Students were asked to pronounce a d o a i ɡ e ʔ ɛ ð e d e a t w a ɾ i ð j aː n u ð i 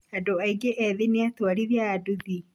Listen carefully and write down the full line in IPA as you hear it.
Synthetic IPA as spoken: a d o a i ɡ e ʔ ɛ ð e n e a t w a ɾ i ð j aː d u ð i

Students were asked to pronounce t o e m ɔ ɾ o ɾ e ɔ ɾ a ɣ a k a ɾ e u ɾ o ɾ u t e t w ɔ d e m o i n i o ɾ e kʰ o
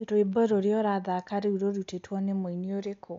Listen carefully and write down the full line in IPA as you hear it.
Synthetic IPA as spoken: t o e b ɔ ɾ o ɾ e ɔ ɾ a ð a k a ɾ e u ɾ o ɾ u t e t w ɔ n e m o i n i o ɾ e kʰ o

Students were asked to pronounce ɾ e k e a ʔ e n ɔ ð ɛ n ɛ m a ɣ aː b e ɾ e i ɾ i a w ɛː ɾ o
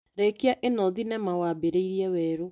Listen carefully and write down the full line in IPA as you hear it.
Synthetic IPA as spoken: ɾ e k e a ʔ e n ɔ ð i n ɛ m a w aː b e ɾ e i ɾ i ɛ w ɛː ɾ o

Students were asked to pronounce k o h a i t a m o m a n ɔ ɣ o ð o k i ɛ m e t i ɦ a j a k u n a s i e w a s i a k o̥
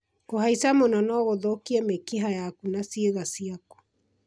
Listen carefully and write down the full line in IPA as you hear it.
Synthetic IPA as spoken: k o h a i s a m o n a n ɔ ɣ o ð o k i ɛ m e k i ɦ a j a k u n a s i e ɣ a s i a k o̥

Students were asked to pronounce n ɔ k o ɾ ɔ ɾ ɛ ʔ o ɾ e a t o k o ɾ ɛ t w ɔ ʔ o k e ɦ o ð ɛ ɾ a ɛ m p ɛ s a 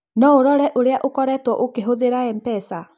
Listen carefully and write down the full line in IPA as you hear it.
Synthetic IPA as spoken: n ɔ o ɾ ɔ ɾ ɛ ʔ o ɾ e a ʔ o k ɔ ɾ ɛ t w ɔ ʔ o k e ɦ o ð e ɾ a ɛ m p ɛ s a

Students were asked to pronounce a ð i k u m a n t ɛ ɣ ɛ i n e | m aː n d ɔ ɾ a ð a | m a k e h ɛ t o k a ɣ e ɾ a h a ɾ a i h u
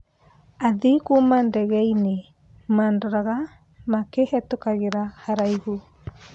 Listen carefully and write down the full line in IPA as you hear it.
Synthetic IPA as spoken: a ð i k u m a n d ɛ ɣ ɛ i n e | m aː n d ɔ ɾ a ɣ a | m a k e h ɛ t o k a ɣ e ɾ a h a ɾ a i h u

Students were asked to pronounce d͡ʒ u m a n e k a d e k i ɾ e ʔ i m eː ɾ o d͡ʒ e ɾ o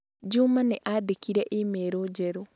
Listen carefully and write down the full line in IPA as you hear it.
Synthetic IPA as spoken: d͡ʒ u m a n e ʔ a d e k i ɾ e ʔ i m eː ɾ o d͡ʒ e ɾ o

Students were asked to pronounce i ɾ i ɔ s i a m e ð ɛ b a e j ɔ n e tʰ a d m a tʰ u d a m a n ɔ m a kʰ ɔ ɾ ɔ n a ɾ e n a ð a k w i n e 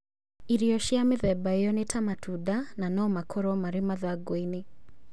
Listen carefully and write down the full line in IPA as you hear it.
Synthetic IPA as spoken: i ɾ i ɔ ʃ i a m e ð ɛ b a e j ɔ n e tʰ a m a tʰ u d a n a n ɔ m a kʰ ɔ ɾ ɔ m a ɾ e m a ð a ɡ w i n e

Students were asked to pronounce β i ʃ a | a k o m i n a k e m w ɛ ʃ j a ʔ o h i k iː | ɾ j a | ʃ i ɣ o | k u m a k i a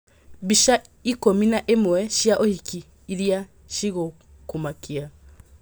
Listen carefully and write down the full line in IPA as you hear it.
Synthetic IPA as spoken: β i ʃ a | i k o m i n a ʔ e m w ɛ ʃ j a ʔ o h i k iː | ɾ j a | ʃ i ɣ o | k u m a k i a

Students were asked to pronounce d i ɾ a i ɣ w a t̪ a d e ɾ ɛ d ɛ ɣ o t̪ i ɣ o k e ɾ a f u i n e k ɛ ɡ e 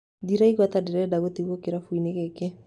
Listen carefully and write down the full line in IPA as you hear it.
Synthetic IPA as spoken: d i ɾ a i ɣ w a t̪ a d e ɾ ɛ d a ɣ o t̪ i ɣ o k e ɾ a f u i n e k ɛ k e

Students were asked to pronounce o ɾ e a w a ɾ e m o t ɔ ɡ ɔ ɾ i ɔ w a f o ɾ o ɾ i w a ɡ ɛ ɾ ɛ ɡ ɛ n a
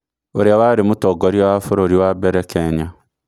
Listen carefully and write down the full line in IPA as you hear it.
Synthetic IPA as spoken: o ɾ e a w a ɾ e m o t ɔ ɡ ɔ ɾ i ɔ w a f o ɾ o ɾ i w a b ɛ ɾ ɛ k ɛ ɲ a

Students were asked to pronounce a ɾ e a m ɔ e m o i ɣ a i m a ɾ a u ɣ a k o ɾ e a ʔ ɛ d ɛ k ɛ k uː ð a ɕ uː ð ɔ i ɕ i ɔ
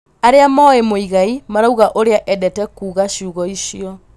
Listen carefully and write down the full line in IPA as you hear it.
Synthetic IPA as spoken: a ɾ e a m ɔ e m o i ɣ a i m a ɾ a u ɣ a ʔ o ɾ e a ʔ ɛ d ɛ t ɛ k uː ɣ a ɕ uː ɣ ɔ i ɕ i ɔ

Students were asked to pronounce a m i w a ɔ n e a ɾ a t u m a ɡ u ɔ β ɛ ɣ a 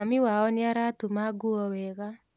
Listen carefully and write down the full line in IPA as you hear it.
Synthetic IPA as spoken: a m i w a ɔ n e a ɾ a t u m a ɡ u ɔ w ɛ ɣ a

